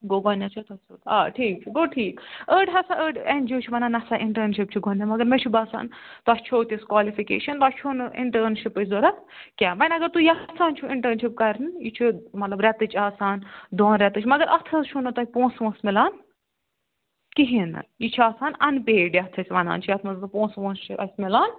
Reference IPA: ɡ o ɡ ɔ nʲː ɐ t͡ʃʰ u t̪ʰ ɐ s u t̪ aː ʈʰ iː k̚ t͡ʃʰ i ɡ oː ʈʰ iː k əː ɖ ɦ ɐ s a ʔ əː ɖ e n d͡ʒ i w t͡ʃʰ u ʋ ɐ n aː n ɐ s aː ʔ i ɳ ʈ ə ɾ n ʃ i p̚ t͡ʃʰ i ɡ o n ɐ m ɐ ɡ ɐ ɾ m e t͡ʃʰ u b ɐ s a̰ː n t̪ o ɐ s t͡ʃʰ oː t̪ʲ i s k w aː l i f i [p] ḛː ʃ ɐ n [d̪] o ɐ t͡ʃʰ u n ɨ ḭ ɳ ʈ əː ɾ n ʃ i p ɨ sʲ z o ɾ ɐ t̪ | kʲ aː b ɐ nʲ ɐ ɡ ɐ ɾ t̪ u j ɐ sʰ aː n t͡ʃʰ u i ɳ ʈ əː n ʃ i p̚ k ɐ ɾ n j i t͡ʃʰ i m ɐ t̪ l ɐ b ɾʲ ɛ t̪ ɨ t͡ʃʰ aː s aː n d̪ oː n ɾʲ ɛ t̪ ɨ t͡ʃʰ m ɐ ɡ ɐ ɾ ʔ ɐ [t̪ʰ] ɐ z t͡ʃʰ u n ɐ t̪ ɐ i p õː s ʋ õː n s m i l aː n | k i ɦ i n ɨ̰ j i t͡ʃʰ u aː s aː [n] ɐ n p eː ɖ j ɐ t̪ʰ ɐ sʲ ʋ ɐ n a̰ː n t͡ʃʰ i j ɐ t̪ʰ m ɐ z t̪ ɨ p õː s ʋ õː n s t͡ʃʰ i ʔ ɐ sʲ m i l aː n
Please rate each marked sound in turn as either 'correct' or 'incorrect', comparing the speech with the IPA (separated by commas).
incorrect, incorrect, correct, correct